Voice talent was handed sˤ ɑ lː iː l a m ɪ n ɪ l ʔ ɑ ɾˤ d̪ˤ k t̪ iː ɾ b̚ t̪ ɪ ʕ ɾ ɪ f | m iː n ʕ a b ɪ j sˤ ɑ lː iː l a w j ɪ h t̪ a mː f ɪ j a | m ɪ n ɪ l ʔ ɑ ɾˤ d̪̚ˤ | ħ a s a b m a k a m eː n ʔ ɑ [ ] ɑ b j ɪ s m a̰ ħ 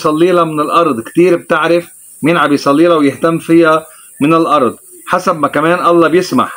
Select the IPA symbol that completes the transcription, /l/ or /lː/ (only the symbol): lː